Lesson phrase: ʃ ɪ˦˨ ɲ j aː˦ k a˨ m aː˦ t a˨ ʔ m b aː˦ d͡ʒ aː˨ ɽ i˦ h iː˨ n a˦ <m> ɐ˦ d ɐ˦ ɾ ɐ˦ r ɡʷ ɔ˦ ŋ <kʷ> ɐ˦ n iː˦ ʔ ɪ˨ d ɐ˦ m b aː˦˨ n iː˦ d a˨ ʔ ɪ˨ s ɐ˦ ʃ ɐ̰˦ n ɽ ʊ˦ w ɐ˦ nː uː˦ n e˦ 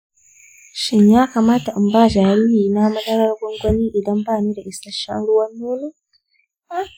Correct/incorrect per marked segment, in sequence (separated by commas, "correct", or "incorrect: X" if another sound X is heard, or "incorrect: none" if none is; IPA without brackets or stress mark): correct, incorrect: ɡʷ